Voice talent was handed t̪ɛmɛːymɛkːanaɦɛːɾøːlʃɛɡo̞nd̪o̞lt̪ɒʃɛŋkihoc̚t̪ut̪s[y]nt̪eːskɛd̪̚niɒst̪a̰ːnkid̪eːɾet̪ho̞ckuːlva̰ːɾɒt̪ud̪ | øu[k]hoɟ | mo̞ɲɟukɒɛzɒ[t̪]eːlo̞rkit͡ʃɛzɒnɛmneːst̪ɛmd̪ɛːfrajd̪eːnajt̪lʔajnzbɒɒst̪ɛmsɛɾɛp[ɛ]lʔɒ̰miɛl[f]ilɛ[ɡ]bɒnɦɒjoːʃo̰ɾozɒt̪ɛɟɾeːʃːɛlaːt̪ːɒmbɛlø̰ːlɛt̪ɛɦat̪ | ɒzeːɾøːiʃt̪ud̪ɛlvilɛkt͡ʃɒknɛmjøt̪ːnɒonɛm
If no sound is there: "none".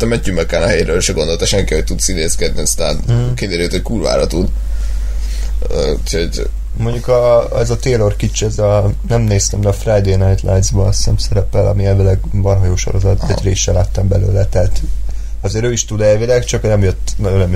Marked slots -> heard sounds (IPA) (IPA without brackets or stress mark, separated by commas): i, c, t̪, ɛ, v, ɡ